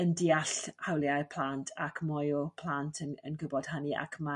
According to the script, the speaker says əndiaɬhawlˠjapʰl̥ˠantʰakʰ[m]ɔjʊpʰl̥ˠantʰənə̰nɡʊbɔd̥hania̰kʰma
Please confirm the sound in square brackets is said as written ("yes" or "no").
yes